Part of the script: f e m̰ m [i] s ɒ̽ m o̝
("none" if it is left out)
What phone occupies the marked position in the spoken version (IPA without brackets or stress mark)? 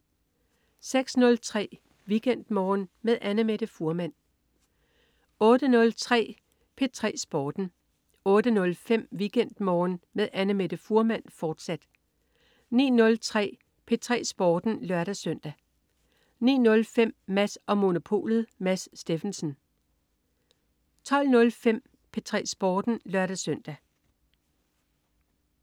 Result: æ